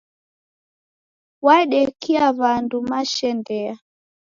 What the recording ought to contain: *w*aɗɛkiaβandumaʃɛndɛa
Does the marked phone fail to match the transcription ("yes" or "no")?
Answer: no